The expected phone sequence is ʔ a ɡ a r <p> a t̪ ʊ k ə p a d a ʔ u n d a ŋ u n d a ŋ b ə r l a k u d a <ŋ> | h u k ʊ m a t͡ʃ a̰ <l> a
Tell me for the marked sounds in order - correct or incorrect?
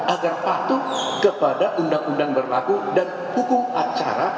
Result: correct, incorrect: n, incorrect: ɾ

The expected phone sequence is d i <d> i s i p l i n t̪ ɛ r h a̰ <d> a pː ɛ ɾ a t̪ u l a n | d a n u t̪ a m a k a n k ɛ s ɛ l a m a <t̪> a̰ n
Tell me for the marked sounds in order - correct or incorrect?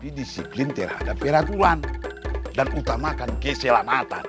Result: correct, correct, correct

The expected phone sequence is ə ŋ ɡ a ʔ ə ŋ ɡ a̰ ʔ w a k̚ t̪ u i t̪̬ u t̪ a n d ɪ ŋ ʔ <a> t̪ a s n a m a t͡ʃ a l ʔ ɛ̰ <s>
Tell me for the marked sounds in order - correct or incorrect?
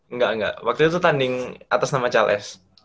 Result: correct, correct

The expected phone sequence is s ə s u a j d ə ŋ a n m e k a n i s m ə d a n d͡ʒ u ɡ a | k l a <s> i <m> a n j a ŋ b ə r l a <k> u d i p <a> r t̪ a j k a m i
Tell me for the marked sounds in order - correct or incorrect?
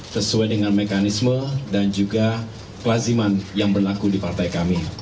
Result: incorrect: z, correct, correct, correct

